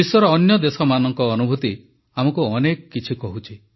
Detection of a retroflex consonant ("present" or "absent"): absent